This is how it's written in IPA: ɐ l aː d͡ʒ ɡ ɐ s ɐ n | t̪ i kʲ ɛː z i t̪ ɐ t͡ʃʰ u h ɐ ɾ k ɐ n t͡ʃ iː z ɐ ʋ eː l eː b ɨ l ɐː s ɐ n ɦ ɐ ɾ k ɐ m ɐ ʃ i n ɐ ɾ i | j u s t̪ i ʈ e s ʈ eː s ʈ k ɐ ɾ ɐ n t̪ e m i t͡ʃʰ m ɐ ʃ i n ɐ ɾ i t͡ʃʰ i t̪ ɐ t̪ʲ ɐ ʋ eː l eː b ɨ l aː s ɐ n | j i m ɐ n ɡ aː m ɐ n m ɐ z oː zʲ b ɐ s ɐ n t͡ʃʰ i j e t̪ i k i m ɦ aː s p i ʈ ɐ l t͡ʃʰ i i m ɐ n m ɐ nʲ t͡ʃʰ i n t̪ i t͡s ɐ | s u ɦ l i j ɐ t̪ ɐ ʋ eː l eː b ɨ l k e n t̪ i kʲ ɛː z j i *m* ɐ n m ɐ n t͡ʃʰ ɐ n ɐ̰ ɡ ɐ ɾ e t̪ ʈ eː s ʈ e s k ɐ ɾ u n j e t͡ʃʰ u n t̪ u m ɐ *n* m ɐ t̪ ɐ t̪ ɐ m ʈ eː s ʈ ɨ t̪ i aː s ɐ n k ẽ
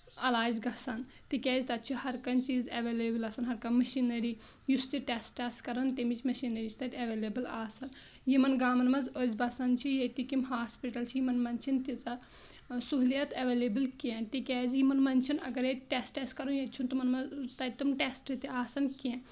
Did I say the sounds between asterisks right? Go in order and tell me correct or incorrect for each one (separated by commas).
correct, correct